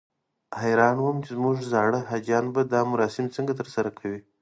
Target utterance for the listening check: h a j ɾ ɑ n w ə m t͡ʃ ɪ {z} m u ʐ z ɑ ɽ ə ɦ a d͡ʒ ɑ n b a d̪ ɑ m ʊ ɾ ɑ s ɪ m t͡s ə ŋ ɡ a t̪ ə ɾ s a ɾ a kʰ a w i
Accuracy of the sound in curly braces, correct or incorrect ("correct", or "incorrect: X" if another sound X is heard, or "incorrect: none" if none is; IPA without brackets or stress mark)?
correct